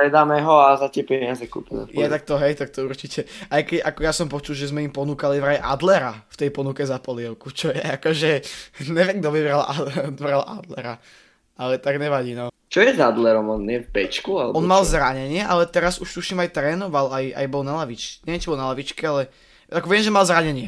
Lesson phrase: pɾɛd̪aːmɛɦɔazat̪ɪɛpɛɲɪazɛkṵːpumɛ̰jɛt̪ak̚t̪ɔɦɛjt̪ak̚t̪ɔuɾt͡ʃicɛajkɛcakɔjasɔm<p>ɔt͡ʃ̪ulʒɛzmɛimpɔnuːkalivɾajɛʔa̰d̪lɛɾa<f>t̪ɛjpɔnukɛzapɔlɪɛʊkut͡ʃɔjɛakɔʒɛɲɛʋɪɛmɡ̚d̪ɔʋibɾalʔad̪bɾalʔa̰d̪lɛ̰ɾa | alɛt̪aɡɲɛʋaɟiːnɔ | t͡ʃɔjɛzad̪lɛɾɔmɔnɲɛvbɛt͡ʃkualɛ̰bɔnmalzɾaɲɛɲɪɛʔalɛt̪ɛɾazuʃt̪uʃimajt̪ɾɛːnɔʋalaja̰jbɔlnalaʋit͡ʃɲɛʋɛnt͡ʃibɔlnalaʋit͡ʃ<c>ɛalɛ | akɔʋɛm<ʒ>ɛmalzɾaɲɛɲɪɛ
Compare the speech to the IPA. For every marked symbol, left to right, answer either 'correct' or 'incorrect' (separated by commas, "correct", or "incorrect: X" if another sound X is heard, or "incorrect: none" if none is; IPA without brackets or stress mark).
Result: correct, correct, incorrect: k, correct